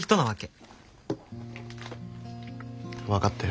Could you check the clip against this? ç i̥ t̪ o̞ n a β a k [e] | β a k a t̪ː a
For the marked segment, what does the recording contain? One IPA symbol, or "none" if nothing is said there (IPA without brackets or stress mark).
e